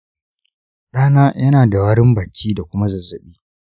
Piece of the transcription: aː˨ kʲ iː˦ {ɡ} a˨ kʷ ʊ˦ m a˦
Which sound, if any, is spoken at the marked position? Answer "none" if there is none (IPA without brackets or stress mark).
d